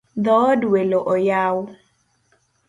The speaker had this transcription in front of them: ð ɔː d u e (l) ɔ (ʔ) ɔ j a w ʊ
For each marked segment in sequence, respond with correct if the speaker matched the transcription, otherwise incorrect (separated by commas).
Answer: correct, correct